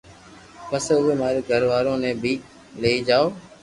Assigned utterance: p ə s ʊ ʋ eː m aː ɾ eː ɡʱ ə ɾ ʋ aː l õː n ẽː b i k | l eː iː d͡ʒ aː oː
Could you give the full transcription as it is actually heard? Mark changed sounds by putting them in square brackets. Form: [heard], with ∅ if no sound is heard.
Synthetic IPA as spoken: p ə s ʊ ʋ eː m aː ɾ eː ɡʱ ə ɾ ʋ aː [ɾ] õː n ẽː b [iː] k | l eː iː d͡ʒ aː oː